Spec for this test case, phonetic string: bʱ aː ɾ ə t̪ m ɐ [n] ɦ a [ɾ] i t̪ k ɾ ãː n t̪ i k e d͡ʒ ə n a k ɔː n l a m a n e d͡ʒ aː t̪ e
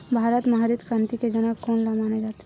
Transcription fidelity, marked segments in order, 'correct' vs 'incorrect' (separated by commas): incorrect, correct